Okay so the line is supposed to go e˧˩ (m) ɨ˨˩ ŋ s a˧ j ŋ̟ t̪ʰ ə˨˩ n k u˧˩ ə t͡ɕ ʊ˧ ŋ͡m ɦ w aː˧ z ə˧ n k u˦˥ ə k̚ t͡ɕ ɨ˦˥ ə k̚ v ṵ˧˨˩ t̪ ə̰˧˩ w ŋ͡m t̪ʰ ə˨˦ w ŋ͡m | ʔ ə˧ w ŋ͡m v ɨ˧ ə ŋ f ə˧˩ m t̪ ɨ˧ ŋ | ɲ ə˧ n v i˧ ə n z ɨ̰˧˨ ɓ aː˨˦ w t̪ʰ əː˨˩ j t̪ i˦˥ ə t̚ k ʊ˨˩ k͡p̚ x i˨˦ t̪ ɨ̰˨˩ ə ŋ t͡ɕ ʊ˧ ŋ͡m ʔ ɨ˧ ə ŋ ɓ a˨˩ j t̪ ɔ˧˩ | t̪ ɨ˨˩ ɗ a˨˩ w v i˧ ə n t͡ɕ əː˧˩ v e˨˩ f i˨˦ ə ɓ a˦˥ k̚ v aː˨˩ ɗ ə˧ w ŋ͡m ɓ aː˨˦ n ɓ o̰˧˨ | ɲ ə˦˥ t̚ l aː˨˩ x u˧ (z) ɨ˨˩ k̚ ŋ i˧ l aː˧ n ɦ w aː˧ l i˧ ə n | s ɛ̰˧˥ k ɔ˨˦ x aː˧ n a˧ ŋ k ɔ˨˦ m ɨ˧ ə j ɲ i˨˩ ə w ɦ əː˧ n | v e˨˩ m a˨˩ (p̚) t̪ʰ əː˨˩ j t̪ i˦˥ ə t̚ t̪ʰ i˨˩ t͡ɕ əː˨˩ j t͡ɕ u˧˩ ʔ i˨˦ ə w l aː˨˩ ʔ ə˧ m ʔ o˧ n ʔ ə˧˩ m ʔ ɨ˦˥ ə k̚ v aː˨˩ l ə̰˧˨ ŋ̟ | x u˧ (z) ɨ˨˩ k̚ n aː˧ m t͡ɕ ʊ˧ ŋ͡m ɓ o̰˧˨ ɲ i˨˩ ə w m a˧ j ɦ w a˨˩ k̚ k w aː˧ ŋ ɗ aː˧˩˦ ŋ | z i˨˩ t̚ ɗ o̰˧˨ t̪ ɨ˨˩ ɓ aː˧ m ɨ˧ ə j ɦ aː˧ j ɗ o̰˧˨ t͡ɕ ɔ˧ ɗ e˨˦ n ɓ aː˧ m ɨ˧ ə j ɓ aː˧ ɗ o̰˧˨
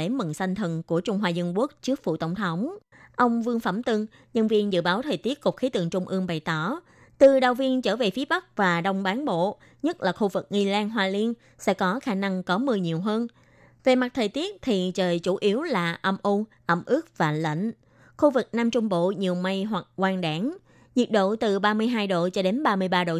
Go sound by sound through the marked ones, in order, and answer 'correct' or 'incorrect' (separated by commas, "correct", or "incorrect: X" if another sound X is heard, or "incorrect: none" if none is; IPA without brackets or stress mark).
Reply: correct, incorrect: v, incorrect: t̚, incorrect: v